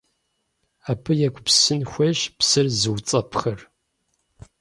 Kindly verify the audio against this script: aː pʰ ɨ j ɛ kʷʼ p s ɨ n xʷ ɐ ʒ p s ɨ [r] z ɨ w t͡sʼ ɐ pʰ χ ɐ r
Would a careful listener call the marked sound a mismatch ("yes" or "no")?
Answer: no